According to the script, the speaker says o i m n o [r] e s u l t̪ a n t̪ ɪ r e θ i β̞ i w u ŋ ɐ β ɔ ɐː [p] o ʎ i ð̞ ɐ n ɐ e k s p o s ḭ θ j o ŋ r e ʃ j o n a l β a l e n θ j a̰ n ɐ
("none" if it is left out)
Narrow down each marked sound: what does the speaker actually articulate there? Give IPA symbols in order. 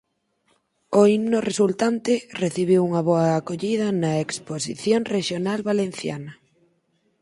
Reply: r, k

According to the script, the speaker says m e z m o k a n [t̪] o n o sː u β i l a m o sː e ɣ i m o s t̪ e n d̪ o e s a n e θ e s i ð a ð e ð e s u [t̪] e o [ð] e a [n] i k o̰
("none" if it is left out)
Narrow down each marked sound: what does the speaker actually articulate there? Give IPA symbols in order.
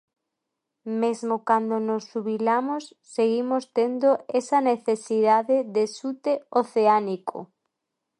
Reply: d̪, t̪, θ, n

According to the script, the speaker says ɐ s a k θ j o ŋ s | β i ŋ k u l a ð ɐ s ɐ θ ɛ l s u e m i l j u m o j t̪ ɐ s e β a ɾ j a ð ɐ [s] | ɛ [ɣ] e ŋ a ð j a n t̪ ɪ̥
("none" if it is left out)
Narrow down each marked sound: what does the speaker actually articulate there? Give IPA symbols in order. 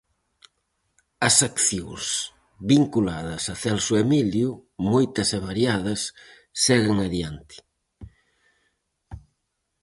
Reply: sː, ɣ

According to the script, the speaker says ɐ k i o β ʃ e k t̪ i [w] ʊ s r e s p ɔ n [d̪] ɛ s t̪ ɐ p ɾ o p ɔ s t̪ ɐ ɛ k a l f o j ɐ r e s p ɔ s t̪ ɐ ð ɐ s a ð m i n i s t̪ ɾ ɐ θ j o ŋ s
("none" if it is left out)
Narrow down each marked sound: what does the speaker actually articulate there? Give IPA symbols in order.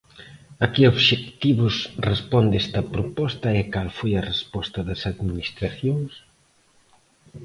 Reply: β, d̪

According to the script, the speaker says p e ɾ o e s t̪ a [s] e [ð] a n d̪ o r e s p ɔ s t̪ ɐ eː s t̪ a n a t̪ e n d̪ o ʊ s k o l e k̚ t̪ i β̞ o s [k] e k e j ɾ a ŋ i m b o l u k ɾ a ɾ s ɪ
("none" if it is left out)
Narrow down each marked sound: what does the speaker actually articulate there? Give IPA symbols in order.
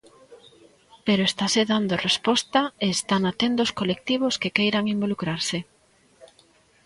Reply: s, ð, k

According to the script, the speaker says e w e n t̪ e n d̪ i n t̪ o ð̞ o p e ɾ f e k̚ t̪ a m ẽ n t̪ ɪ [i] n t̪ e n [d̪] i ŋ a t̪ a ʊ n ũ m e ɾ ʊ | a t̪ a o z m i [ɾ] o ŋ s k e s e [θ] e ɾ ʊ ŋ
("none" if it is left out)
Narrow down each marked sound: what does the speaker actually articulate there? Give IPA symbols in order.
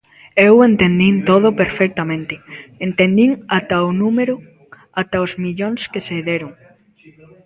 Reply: e, d̪, ʎ, ð

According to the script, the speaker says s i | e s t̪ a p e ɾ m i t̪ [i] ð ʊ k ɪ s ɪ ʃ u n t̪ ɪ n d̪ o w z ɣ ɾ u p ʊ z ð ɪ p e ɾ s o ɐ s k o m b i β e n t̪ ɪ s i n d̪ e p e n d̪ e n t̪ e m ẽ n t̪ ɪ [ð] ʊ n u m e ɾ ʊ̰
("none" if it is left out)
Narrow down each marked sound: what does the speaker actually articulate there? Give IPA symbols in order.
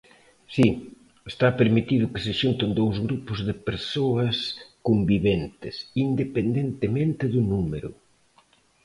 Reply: i, ð

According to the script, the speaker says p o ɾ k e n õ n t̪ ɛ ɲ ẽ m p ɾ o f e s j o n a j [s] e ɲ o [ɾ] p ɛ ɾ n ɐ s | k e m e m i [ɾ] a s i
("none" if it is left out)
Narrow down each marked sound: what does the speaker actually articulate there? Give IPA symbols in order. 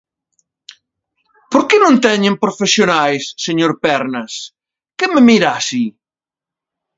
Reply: sː, ɾ, ɾ

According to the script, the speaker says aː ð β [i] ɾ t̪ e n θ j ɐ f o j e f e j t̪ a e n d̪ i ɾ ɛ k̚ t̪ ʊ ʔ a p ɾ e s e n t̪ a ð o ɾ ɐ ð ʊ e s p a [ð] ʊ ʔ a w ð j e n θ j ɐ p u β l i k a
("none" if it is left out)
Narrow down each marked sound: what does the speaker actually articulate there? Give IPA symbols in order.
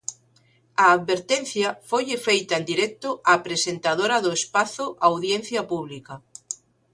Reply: e, θ

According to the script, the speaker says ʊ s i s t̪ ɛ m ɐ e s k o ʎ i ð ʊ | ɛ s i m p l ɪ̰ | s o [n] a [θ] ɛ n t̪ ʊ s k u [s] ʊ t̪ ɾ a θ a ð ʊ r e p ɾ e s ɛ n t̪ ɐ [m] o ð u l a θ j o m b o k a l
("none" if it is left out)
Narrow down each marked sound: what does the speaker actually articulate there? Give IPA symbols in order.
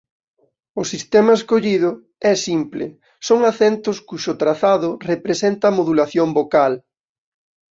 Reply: ŋ, θ, ʃ, m

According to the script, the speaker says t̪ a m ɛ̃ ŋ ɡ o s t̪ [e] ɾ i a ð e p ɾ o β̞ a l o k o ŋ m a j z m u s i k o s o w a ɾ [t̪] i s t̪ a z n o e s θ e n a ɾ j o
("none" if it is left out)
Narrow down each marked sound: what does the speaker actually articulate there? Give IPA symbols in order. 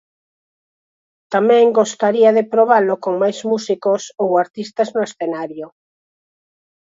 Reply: a, t̪

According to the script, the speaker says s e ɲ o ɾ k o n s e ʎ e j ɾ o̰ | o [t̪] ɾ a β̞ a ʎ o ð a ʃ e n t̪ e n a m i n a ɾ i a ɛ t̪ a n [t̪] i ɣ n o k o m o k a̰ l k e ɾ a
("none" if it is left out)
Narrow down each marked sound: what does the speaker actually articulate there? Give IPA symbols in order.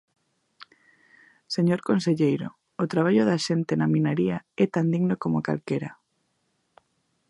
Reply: t̪, d̪

